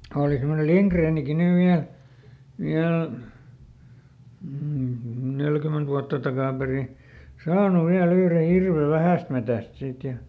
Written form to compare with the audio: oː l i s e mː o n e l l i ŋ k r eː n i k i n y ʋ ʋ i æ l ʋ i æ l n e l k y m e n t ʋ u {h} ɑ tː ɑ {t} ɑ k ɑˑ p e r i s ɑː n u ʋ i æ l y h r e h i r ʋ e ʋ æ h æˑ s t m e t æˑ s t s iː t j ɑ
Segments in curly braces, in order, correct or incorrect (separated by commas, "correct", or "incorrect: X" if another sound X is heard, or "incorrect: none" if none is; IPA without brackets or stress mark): incorrect: none, correct